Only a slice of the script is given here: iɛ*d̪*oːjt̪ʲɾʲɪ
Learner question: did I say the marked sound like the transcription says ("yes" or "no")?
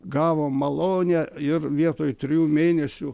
no